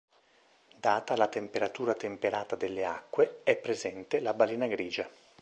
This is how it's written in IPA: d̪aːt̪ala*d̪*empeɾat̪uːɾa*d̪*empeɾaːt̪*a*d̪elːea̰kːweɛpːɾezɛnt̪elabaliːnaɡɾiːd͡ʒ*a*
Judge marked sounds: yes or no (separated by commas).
no, no, yes, yes